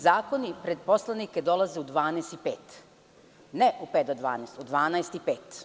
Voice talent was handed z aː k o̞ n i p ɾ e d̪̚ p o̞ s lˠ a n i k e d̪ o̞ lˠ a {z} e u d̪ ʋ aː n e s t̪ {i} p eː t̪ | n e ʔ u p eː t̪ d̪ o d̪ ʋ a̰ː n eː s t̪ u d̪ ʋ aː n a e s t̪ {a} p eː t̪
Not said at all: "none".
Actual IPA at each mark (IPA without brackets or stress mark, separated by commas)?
z, i, i